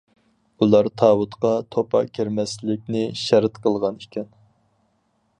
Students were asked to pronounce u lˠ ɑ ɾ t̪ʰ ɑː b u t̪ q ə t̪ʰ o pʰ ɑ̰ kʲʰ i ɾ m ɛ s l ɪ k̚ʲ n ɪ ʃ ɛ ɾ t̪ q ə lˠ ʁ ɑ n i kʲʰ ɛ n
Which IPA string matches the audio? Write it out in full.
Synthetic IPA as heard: u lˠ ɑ ɾ t̪ʰ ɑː w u t̪ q ɑ t̪ʰ o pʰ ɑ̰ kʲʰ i ɾ m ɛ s l ɪ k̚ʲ n ɪ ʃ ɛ ɾ t̪ q ə lˠ ʁ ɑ n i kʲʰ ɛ n

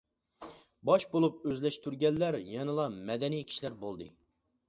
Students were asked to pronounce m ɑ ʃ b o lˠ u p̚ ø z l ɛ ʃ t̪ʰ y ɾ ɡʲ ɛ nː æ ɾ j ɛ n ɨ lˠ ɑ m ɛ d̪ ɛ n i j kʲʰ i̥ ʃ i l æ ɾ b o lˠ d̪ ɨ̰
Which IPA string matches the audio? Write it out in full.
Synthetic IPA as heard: b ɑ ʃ b o lˠ u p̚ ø z l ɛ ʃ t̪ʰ y ɾ ɡʲ ɛ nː æ ɾ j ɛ n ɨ lˠ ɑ m ɛ d̪ ɛ n i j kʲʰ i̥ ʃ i l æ ɾ b o lˠ d̪ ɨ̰

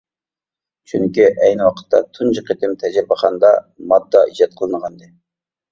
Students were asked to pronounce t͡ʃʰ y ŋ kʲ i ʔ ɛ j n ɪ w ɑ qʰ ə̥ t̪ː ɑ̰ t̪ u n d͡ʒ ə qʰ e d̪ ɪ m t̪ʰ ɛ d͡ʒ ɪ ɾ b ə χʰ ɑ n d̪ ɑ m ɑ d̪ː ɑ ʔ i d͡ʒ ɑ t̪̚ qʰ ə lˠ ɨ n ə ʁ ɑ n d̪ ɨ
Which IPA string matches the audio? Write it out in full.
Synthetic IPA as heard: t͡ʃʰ y ŋ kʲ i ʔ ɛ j n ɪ w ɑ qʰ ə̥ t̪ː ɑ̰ t̪ʰ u n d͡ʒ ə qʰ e t̪ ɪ m t̪ʰ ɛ d͡ʒ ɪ ɾ b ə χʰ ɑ n d̪ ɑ m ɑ d̪ː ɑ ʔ i d͡ʒ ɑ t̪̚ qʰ ə lˠ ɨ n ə ʁ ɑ n d̪ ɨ

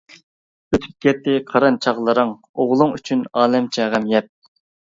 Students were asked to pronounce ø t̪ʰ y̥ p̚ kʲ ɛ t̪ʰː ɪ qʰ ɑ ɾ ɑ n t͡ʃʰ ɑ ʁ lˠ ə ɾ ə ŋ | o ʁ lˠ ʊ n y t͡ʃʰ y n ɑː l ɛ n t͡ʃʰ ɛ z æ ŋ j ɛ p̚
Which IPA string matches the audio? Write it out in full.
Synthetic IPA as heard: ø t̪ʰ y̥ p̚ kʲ ɛ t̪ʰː ɪ qʰ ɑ ɾ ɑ n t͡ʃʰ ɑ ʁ lˠ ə ɾ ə ŋ | o ʁ lˠ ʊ ŋ y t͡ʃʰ y n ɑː l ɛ m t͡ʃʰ ɛ ʁ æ m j ɛ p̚

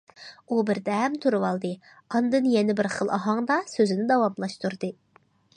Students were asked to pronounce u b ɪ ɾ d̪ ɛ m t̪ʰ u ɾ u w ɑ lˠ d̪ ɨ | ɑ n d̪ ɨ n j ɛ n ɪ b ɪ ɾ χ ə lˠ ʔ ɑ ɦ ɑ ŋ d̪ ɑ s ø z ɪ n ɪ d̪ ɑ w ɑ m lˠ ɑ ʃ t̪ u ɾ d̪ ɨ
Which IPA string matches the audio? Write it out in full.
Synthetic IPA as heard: u b ɪ ɾ d̪ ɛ m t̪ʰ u ɾ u w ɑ lˠ d̪ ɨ | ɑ n d̪ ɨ n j ɛ n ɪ b ɪ ɾ χ ə lˠ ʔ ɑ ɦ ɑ ŋ d̪ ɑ s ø z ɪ n ɪ d̪ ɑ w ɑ m lˠ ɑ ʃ t̪ u ɾ d̪ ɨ

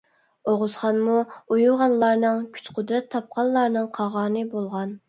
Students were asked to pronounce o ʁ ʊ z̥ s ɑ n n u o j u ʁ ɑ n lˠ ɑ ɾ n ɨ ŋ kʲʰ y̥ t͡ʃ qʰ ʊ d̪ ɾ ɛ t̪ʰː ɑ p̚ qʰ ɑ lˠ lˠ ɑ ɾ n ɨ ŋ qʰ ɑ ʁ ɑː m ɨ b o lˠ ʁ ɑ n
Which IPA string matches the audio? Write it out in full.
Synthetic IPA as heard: o ʁ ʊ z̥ χ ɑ n m u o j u ʁ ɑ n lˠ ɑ ɾ n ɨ ŋ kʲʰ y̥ t͡ʃ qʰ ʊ d̪ ɾ ɛ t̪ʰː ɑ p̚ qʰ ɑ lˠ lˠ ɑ ɾ n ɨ ŋ qʰ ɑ ʁ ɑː n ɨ b o lˠ ʁ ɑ n

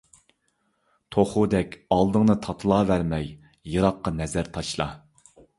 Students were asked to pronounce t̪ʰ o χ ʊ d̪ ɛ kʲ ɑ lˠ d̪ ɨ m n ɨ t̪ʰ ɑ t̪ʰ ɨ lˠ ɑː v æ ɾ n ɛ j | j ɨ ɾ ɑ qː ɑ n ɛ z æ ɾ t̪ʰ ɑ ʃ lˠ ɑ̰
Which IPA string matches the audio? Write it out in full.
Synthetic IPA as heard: t̪ʰ o χ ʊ d̪ ɛ kʲ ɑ lˠ d̪ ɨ ŋ n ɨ t̪ʰ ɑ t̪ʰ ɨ lˠ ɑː v æ ɾ m ɛ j | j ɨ ɾ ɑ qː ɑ n ɛ z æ ɾ t̪ʰ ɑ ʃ lˠ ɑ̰

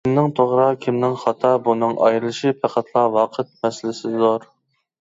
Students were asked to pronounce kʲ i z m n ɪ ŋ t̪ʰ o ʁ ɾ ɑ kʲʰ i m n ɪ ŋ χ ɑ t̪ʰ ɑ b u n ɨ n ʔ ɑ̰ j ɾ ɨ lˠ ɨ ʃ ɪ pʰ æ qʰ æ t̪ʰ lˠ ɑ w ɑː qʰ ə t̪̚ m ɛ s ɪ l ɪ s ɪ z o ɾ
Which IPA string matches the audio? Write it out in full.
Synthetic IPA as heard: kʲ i m n ɪ ŋ t̪ʰ o ʁ ɾ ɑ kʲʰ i m n ɪ ŋ χ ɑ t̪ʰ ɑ b u n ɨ ŋ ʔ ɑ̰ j ɾ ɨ lˠ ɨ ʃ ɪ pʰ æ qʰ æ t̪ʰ lˠ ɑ w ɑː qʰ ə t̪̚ m ɛ s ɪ l ɪ s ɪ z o ɾ

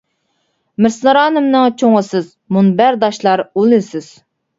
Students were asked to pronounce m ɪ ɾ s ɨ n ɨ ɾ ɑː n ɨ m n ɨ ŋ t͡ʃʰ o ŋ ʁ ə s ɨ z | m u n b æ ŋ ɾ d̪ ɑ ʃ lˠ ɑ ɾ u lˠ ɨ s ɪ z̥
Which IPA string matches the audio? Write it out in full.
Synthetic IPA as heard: m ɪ ɾ s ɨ n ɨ ɾ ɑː n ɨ m n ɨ ŋ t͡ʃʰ o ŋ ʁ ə s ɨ z | m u n b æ ɾ d̪ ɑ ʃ lˠ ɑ ɾ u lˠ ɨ s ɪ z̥

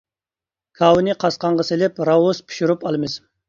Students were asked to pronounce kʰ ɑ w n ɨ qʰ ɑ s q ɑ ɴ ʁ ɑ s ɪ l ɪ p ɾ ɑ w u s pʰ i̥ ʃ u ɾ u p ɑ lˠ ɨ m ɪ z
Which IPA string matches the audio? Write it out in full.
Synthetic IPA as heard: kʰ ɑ w n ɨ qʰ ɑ s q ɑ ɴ ʁ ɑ s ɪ l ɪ p ɾ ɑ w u s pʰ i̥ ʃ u ɾ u p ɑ lˠ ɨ m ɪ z

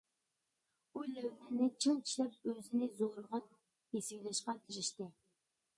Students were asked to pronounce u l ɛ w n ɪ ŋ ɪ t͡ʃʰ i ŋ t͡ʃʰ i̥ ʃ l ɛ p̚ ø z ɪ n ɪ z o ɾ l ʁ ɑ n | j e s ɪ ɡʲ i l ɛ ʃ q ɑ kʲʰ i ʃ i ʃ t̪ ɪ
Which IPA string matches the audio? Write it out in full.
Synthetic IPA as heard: u l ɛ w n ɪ n ɪ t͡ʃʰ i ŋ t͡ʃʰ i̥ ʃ l ɛ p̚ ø z ɪ n ɪ z o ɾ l ʁ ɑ n | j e s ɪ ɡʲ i l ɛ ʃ q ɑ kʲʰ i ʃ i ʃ t̪ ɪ

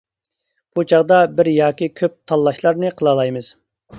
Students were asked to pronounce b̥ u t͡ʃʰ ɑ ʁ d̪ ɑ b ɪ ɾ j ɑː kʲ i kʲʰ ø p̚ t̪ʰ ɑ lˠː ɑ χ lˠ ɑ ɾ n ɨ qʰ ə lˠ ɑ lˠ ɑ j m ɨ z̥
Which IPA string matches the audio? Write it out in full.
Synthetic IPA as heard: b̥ u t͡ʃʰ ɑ ʁ d̪ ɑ b ɪ ɾ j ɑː kʲ i kʲʰ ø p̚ t̪ʰ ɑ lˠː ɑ ʃ lˠ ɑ ɾ n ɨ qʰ ə lˠ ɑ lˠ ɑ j m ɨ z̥

